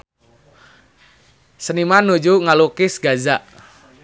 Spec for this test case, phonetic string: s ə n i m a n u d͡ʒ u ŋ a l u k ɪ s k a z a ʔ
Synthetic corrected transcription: s ə n i m a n u d͡ʒ u ŋ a l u k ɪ s ɡ a z a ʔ